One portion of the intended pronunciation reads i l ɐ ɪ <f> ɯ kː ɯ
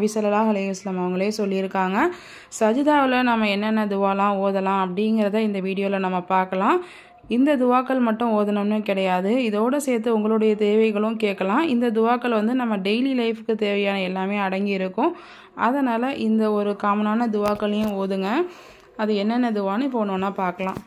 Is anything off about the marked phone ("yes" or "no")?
no